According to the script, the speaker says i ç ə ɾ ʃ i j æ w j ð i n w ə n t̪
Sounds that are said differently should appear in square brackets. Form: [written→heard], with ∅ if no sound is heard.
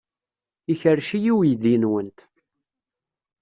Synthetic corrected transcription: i ç ə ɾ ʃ i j [æ→i] w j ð i n w ə n t̪